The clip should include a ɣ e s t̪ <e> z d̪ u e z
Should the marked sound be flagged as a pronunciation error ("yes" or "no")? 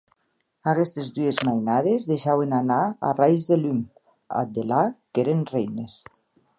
no